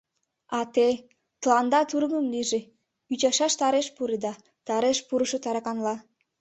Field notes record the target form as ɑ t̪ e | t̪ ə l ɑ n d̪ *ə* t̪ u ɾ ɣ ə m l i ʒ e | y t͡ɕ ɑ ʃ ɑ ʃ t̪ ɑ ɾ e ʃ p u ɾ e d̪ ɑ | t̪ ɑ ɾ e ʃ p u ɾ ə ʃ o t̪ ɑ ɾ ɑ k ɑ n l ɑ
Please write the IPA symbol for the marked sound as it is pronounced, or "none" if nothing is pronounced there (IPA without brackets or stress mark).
ɑ